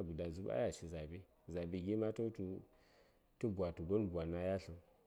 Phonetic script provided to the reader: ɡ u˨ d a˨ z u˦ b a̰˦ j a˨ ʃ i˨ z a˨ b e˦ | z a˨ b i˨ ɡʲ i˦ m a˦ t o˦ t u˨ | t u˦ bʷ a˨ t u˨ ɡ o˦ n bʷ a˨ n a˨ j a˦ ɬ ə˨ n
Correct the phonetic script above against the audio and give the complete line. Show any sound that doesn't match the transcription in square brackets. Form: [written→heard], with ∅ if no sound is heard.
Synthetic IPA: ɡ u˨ d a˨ z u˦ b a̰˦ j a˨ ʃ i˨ z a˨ b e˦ | z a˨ b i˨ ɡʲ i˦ m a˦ t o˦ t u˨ | t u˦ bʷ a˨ t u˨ ɡ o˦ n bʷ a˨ n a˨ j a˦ ɬ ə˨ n

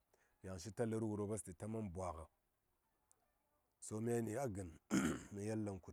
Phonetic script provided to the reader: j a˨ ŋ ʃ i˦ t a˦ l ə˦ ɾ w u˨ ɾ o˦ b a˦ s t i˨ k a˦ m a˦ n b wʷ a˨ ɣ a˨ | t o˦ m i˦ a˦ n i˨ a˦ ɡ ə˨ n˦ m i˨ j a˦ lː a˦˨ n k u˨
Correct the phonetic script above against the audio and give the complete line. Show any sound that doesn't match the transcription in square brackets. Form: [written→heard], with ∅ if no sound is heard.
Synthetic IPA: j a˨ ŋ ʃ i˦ t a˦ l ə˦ ɾ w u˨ ɾ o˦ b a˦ s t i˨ [k→t] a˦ m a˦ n b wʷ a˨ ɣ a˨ | [t→s] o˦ m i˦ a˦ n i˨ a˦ ɡ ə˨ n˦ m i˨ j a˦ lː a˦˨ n k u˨

